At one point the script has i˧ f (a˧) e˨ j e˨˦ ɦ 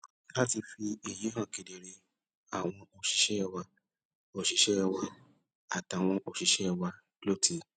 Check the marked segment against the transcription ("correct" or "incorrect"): incorrect